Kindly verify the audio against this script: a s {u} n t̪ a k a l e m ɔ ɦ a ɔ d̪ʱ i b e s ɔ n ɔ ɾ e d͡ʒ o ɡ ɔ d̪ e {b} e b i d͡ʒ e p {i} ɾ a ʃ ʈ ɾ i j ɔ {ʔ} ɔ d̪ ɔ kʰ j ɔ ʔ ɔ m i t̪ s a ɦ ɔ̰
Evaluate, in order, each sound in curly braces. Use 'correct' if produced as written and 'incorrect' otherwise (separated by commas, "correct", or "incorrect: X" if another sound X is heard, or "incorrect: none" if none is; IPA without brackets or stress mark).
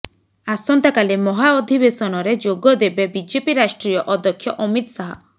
incorrect: ɔ, correct, correct, correct